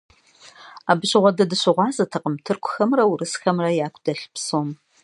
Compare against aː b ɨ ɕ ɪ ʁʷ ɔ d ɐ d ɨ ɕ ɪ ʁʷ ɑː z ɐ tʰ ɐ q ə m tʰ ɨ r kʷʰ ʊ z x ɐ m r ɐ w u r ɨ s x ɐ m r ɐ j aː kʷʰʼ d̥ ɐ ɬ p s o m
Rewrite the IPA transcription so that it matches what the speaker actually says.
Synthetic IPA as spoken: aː b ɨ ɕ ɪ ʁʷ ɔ d ɐ d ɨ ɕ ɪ ʁʷ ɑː z ɐ tʰ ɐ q ə m tʰ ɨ r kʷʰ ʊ x ɐ m r ɐ w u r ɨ s x ɐ m r ɐ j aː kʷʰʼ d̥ ɐ ɬ p s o m

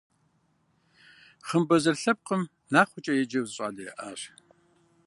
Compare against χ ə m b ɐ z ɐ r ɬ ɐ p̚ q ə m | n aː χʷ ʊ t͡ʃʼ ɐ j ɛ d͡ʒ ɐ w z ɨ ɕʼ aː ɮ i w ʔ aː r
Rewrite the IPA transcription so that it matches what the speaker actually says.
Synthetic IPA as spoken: χ ə m b ɐ z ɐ r ɬ ɐ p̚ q ə m | n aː χʷ ʊ t͡ʃʼ ɐ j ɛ d͡ʒ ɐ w z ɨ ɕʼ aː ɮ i ʔ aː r

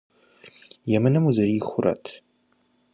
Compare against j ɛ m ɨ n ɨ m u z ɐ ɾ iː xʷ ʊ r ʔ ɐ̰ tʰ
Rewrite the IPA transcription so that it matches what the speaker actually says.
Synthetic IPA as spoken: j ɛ m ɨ n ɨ m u z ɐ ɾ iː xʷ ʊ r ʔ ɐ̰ tʰ

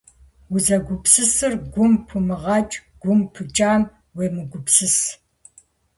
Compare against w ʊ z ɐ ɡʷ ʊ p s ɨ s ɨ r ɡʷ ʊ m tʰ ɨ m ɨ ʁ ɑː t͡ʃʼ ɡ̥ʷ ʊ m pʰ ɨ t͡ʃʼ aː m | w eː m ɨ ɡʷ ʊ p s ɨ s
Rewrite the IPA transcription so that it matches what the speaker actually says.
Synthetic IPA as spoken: w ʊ z ɐ ɡʷ ʊ p s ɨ s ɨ r ɡʷ ʊ m pʰ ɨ m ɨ ʁ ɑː t͡ʃʼ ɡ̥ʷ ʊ m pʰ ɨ t͡ʃʼ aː m | w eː m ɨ ɡʷ ʊ p s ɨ s

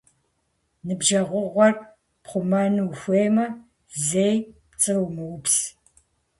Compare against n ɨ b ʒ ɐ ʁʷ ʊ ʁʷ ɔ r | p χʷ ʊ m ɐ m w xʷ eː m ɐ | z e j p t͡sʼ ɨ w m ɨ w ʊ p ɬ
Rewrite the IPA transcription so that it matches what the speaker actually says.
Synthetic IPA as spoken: n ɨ b ʒ ɐ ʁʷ ʊ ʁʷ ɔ r | p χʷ ʊ m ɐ n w xʷ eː m ɐ | z e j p t͡sʼ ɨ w m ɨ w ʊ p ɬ

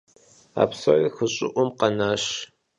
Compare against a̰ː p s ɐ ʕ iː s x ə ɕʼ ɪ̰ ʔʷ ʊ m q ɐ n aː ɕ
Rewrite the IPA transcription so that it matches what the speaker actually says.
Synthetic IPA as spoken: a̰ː p s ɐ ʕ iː x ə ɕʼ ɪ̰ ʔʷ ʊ m q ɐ n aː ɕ

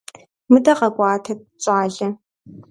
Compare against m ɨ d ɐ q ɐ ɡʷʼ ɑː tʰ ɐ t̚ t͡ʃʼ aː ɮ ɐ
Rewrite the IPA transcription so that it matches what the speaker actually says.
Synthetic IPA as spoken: m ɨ d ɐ q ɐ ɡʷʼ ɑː tʰ ɐ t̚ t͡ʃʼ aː ɮ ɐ

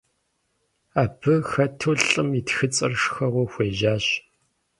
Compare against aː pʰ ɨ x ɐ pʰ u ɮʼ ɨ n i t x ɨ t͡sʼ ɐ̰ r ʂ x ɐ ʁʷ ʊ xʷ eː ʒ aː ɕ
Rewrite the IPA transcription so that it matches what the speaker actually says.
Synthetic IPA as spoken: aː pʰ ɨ x ɐ tʰ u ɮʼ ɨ m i t x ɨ t͡sʼ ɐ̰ r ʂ x ɐ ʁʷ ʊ xʷ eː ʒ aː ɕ

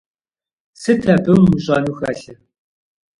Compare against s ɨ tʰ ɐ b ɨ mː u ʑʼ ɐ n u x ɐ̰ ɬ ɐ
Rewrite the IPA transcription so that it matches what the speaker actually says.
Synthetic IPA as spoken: s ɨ tʰ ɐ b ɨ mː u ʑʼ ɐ n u x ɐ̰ ɬ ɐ

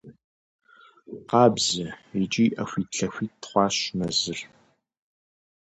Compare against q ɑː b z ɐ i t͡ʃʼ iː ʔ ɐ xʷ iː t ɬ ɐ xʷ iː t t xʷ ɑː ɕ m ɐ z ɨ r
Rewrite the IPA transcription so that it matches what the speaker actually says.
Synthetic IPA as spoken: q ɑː b z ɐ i t͡ʃʼ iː ʔ ɐ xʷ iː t ɬ ɐ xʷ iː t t χʷ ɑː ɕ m ɐ z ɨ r

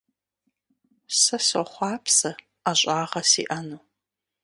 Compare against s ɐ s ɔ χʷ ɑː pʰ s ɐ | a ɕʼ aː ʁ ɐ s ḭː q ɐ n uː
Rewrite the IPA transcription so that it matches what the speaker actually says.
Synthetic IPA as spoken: s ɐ s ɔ χʷ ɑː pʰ s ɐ | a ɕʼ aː ʁ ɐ s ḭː ʔ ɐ n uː

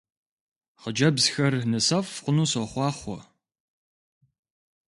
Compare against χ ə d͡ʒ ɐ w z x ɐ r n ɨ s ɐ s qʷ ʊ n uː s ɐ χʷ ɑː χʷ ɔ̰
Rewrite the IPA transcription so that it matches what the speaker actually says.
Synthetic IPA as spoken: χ ə d͡ʒ ɐ b z x ɐ r n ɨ s ɐ f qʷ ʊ n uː s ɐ χʷ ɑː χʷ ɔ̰

